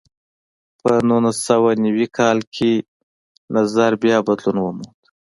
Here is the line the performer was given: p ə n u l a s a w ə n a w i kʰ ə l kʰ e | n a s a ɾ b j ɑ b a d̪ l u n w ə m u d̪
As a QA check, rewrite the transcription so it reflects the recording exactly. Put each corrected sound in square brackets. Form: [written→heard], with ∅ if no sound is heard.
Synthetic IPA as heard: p ə n u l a s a w [ə→a] n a w i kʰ [ə→ɑ] l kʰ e | n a [s→z] a ɾ b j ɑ b a d̪ l u n w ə m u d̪